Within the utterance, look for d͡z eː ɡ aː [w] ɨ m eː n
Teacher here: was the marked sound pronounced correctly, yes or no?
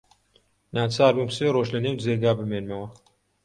no